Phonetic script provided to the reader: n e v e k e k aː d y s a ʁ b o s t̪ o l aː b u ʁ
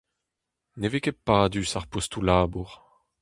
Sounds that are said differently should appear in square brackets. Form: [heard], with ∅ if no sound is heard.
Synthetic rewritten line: n e v e k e [p] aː d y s a ʁ [p] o s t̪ [u] l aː b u ʁ